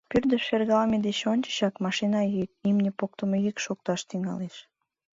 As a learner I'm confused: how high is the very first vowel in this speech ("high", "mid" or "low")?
high